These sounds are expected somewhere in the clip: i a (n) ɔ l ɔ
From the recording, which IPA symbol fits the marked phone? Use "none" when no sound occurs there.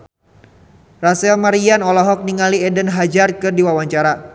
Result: n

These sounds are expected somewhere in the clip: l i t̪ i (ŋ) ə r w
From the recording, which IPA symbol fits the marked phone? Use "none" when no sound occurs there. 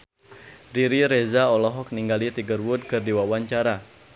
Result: ɡ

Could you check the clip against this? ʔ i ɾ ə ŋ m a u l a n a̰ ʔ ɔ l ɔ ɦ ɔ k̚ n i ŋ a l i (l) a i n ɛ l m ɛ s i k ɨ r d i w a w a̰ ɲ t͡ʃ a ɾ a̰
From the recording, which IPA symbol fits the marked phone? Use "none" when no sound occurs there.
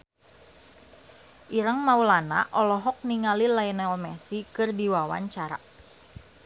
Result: l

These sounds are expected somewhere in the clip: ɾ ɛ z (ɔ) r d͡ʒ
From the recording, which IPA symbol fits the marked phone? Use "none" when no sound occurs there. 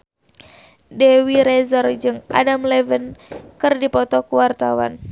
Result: ɔ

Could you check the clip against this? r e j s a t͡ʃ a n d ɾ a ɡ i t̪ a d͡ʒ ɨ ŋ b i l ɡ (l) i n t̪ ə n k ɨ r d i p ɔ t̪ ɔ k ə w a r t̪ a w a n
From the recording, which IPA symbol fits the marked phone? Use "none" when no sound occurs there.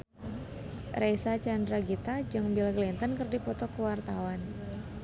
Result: l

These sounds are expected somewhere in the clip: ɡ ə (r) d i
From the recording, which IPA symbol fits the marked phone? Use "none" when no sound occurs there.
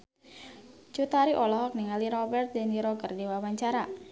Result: r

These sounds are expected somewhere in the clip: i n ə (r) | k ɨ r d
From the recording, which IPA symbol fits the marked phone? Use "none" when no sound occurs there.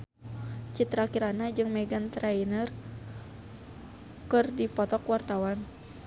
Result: r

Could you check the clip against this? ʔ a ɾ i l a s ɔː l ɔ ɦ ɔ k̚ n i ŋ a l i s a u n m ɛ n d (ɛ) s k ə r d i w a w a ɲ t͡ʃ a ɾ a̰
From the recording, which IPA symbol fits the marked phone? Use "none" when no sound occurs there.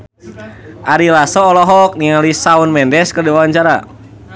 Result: ɛ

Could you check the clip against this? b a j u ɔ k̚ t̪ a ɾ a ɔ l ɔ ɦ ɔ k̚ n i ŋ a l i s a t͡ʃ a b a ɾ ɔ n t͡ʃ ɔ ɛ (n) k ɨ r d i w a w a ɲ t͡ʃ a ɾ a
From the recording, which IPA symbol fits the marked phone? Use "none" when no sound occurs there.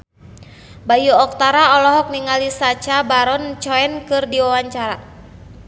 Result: n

